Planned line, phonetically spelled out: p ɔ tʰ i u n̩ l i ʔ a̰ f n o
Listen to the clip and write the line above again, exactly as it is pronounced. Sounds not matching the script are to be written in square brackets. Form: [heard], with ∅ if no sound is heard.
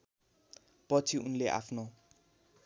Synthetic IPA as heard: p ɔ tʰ i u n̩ l [e] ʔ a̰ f n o